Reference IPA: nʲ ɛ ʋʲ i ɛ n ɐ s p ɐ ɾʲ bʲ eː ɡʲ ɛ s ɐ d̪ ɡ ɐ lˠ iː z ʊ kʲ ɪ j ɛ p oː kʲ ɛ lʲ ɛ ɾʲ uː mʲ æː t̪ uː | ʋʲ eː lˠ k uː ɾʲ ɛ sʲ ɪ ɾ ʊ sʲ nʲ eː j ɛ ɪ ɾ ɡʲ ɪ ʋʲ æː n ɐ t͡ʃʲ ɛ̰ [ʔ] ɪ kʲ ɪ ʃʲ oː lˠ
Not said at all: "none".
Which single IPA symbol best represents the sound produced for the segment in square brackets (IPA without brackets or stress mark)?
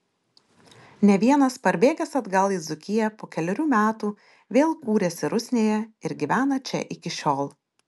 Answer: ʔ